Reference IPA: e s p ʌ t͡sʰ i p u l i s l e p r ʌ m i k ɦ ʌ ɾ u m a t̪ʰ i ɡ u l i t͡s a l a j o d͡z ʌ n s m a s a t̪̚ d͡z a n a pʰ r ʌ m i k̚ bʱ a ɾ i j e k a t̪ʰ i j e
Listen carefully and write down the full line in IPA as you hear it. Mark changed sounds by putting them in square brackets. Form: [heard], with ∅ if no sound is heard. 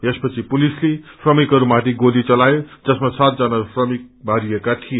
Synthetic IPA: e s p ʌ t͡sʰ i p u l i s l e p r ʌ m i k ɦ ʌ ɾ u m a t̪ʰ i ɡ [o] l i t͡s [ʌ] l a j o d͡z ʌ [∅] s m a s a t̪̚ d͡z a n a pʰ r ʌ m i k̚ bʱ a ɾ i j e k a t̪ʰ i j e